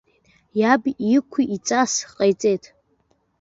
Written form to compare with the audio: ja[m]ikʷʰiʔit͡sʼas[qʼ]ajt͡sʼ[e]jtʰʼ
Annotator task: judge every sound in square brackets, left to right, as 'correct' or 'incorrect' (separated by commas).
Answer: incorrect, correct, correct